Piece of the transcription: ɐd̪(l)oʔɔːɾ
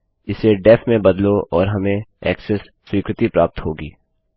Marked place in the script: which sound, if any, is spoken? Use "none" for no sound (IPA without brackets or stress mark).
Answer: l